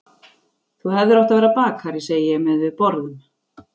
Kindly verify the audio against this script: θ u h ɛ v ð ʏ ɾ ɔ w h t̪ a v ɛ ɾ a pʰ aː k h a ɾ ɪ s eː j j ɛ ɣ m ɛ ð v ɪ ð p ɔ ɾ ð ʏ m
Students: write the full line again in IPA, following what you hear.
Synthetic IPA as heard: θ u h ɛ v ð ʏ ɾ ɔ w h t̪ a v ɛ ɾ a p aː k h a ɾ ɪ s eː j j ɛ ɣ m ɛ ð v ɪ ð p ɔ ɾ ð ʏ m

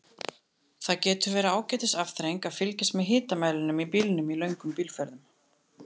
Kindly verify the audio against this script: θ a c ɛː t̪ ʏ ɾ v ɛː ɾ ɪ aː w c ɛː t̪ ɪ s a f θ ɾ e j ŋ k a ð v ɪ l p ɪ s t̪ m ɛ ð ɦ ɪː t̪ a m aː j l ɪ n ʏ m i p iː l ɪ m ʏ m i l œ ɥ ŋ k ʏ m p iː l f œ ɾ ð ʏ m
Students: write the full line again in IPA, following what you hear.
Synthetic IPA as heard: θ a c ɛː t̪ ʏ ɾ v ɛː ɾ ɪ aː w c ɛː t̪ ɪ s a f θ ɾ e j ŋ k a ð f ɪ l c ɪ s t̪ m ɛ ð ɦ ɪː t̪ a m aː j l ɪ n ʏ m i p iː l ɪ n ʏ m i l œ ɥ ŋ k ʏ m p iː l f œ ɾ ð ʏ m

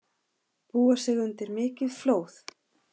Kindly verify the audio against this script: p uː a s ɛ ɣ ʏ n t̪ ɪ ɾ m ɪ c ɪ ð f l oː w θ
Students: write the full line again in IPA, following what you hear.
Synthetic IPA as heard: p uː a s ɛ ɣ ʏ n t̪ ɪ ɾ m ɪː c ɪ ð f l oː w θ

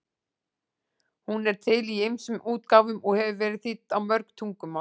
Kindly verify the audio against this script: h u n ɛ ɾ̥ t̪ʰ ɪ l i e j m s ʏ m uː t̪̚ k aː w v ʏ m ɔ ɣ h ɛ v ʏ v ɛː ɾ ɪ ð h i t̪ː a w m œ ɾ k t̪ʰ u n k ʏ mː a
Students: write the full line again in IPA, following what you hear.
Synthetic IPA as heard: h u n ɛ ɾ̥ t̪ʰ ɪ l i e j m s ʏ m uː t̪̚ k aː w v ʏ m ɔ ɣ h ɛ v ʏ v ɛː ɾ ɪ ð θ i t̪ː a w m œ ɾ k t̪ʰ u ŋ k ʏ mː a

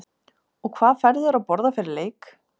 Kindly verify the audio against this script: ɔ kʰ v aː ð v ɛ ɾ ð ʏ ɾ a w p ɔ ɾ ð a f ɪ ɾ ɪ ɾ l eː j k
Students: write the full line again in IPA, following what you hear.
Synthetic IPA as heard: ɔ kʰ v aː ð f ɛ ɾ ð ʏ ɾ a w p ɔ ɾ ð a f ɪ ɾ ɪ ɾ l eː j k

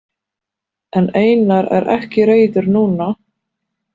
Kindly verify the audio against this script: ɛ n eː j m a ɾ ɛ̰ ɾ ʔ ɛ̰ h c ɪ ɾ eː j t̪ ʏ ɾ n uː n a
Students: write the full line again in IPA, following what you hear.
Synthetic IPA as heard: ɛ n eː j n a ɾ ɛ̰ ɾ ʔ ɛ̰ h c ɪ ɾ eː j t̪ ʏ ɾ n uː n a

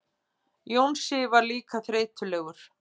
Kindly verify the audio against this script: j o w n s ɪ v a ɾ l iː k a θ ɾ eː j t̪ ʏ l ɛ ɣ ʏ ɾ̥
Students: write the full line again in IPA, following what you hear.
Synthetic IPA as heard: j o w n s ɪ v a ɾ l iː k a θ ɾ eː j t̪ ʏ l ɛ ɣ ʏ ɾ̥

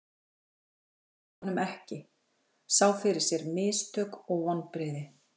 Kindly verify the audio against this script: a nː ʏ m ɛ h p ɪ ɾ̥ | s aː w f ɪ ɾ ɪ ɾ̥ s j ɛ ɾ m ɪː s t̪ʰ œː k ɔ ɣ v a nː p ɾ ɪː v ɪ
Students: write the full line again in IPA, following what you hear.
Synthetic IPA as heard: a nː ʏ m ɛ h c ɪ | s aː w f ɪ ɾ ɪ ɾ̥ s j ɛ ɾ m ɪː s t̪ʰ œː k ɔ ɣ v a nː p ɾ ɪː ð ɪ

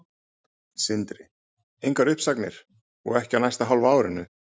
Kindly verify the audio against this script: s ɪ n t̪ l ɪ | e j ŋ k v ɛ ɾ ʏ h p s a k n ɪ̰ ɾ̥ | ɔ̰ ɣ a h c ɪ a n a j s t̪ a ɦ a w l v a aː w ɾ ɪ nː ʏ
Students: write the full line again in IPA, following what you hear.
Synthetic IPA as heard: s ɪ n t̪ ɾ ɪ | e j ŋ k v a ɾ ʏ h p s a k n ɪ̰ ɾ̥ | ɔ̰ ɣ ɛ h c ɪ a n a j s t̪ a ɦ a w l v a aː w ɾ ɪ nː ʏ

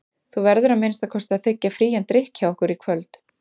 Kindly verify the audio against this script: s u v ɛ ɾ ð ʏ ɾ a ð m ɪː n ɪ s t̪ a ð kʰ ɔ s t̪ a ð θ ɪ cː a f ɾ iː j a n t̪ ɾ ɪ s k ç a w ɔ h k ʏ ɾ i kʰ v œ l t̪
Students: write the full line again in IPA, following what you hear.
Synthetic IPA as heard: θ u v ɛ ɾ ð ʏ ɾ a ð m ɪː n ɪ s t̪ a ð kʰ ɔ s t̪ a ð θ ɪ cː a f ɾ iː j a n t̪ ɾ ɪ h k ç a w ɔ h k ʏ ɾ i kʰ v œ l t̪

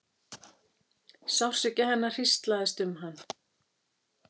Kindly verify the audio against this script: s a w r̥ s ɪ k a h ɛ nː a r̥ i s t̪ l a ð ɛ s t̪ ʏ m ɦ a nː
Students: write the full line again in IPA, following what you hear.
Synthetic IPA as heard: s a w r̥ s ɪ c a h ɛ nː a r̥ i s t̪ l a ð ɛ s t̪ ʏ m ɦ a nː

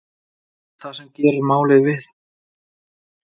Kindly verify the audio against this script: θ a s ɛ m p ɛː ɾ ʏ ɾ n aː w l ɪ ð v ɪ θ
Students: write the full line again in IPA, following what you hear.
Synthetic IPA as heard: θ a s ɛ m c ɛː ɾ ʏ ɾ m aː w l ɪ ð v ɪ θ

